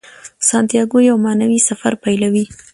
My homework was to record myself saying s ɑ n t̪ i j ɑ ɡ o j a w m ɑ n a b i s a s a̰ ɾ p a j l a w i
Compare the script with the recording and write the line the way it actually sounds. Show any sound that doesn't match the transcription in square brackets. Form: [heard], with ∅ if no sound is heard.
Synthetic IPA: s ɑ n t̪ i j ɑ ɡ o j a w m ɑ n a [w] i s a [f] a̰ ɾ p a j l a w i